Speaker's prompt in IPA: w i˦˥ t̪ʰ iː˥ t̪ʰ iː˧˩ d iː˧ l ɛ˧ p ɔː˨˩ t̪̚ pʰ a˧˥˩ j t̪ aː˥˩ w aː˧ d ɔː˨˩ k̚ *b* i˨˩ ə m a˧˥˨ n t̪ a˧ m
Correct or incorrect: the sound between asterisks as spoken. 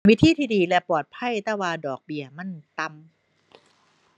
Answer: correct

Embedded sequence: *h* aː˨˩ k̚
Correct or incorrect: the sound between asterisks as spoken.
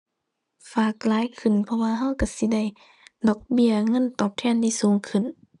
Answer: incorrect: f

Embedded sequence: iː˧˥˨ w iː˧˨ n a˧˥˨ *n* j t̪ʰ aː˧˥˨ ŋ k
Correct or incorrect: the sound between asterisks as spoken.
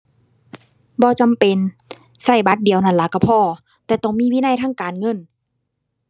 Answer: incorrect: none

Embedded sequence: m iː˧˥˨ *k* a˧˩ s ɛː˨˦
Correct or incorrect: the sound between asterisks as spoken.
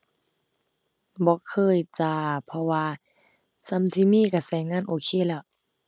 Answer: correct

